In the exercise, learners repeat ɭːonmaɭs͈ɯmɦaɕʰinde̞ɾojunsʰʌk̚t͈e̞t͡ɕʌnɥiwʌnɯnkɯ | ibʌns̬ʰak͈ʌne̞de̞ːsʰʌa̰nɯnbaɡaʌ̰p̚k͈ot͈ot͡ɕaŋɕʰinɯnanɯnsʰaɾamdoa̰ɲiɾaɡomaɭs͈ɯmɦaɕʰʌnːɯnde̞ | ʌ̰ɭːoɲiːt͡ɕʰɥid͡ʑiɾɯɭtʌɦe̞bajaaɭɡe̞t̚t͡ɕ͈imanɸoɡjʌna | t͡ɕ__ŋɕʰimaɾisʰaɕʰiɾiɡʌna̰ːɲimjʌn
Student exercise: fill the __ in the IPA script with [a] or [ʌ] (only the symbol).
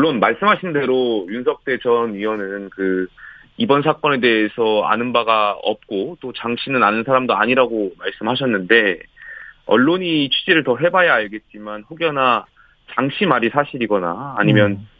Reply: a